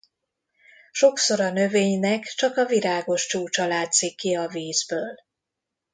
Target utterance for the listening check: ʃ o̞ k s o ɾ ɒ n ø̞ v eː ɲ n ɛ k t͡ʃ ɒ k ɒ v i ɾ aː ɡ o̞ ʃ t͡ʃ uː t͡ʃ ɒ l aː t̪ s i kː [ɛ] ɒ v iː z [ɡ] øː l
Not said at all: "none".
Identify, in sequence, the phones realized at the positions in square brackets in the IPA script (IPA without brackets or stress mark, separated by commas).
i, b